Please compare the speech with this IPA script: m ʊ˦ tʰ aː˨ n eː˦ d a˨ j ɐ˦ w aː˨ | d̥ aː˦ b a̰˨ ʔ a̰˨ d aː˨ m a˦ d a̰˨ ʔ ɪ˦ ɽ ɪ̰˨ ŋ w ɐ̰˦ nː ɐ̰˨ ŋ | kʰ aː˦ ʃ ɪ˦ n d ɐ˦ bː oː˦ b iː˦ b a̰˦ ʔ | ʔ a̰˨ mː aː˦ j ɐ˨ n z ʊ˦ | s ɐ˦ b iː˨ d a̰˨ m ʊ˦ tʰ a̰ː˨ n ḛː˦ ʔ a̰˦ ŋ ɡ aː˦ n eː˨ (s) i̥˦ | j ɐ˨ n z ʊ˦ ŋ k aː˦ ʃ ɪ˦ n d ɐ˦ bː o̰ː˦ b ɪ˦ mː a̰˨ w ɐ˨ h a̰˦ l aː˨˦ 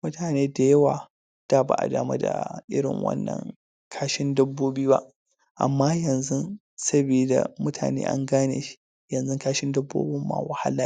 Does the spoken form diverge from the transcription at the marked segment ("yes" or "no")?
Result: yes